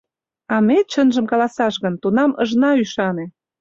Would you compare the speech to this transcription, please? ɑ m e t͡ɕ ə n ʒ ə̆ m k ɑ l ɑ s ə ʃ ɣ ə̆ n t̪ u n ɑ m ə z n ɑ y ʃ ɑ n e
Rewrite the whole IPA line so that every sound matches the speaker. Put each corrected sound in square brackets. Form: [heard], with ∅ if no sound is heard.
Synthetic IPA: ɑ m e t͡ɕ ə n ʒ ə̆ m k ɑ l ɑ s [ɑ] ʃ ɣ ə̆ n t̪ u n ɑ m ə [ʒ] n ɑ y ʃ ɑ n e